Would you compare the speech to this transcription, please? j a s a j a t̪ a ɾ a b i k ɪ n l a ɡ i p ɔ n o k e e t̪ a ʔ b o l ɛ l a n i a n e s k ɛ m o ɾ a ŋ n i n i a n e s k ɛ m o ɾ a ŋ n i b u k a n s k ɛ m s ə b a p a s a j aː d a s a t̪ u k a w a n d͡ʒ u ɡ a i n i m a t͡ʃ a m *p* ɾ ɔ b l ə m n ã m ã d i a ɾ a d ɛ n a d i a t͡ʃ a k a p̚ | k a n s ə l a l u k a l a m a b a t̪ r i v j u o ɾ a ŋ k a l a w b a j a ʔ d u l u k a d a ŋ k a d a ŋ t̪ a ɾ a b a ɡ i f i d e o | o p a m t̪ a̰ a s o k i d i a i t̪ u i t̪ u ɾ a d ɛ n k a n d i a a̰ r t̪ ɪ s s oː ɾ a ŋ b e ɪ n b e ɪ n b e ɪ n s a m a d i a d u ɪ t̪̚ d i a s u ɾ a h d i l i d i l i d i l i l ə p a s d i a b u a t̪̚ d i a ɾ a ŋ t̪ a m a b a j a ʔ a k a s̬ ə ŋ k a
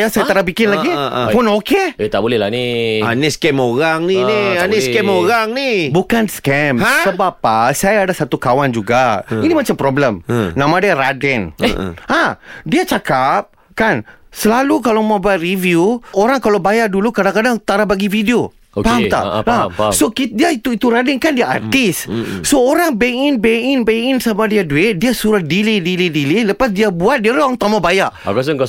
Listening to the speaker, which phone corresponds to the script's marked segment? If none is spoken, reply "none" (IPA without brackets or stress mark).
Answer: p